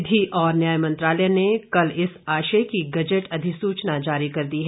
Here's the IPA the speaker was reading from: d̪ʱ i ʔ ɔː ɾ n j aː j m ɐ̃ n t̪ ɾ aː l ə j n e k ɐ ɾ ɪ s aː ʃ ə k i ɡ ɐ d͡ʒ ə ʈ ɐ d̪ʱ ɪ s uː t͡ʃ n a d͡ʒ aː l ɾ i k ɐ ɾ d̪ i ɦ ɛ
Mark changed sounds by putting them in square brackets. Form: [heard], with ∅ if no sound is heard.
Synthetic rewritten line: d̪ʱ i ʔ ɔː ɾ n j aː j m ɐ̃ n t̪ ɾ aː l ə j n e k ɐ [l] ɪ s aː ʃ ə k i ɡ ɐ d͡ʒ ə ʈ ɐ d̪ʱ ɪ s uː t͡ʃ n a d͡ʒ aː [∅] ɾ i k ɐ ɾ d̪ i ɦ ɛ